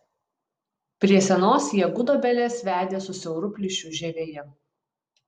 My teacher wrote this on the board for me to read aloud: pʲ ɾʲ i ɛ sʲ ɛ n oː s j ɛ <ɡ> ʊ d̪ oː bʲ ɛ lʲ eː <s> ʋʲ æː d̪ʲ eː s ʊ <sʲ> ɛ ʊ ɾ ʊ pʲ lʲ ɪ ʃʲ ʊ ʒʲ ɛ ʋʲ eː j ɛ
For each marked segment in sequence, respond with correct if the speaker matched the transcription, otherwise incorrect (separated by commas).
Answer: correct, correct, correct